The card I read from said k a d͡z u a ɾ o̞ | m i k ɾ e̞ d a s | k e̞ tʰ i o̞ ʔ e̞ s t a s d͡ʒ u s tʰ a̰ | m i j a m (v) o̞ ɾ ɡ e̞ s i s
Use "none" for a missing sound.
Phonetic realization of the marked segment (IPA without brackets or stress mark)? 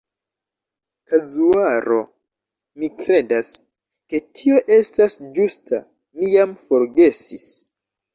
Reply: f